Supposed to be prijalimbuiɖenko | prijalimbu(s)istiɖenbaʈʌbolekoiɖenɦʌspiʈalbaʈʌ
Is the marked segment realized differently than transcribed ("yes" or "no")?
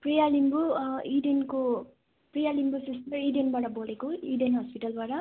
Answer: no